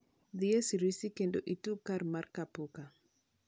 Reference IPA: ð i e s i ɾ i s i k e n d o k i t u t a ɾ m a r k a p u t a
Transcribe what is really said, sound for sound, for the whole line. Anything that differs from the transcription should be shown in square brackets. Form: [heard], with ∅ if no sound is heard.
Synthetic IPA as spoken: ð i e s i ɾ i s i k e n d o [ʔ] i t u [k] a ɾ m a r k a p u [k] a

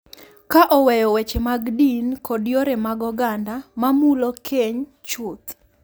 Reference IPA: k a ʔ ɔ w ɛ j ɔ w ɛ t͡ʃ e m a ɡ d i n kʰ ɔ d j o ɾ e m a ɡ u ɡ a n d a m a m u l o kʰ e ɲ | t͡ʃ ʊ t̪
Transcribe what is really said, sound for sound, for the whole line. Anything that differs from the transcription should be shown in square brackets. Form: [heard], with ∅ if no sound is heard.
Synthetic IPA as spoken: k a ʔ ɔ w ɛ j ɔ w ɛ t͡ʃ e m a ɡ d i n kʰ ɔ d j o ɾ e m a ɡ [ɔ] ɡ a n d a m a m u l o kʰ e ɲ | t͡ʃ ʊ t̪

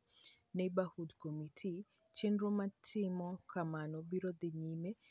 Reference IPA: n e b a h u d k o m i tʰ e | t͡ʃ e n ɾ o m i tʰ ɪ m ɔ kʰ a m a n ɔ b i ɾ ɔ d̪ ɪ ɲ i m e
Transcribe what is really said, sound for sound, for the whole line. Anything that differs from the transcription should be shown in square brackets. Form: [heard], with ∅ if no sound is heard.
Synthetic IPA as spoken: n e b a h u d k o m i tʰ [i] | t͡ʃ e n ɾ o m [a] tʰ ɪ m ɔ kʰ a m a n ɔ b i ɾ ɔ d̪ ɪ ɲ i m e

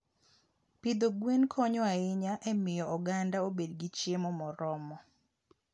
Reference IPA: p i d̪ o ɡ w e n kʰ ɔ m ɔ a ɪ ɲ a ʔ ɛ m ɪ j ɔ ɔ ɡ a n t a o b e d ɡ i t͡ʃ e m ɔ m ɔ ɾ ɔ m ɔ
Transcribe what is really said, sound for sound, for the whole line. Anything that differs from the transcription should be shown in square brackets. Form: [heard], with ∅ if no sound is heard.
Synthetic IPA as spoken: p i d̪ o ɡ w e n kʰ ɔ [ɲ] ɔ a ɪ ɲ a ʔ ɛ m ɪ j ɔ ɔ ɡ a n [d] a o b e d ɡ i t͡ʃ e m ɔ m ɔ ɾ ɔ m ɔ

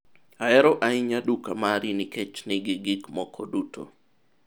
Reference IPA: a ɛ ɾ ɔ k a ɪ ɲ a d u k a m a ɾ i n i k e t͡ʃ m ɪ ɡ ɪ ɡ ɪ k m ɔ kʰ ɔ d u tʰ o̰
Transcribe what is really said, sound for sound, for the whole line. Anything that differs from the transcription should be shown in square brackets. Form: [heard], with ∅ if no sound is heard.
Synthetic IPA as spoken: a ɛ ɾ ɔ [ʔ] a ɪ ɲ a d u k a m a ɾ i n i k e t͡ʃ [n] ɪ ɡ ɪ ɡ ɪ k m ɔ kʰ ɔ d u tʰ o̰

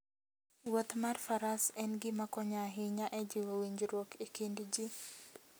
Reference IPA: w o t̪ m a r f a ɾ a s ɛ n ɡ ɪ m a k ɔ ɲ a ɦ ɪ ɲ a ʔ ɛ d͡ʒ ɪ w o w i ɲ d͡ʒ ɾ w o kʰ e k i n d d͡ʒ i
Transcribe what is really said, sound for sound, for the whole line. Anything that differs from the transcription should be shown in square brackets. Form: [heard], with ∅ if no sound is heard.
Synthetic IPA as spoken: w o t̪ m a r f a ɾ a s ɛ n ɡ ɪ m a k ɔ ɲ a ɦ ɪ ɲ a ʔ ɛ d͡ʒ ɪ w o w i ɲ d͡ʒ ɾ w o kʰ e k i n d d͡ʒ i

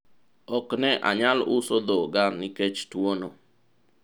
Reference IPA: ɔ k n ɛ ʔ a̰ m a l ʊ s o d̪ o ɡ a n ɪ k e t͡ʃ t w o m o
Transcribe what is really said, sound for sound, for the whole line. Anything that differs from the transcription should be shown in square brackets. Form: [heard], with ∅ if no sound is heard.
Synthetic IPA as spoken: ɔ k n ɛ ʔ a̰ [ɲ] a l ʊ s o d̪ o ɡ a n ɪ k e t͡ʃ t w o [n] o

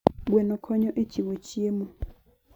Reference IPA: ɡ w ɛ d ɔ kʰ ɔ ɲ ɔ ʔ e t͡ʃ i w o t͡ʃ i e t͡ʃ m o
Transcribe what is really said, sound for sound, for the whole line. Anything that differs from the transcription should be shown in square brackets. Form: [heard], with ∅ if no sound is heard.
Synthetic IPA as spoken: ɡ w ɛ [n] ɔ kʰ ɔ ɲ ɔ ʔ e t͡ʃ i w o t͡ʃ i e [∅] m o

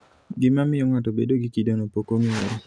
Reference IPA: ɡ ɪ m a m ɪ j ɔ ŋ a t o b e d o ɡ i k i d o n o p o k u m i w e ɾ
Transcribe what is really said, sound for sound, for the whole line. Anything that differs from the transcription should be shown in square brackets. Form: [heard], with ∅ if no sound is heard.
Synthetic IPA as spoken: ɡ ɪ m a m ɪ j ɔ ŋ a t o b e d o ɡ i k i d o n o p o k [o] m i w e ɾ

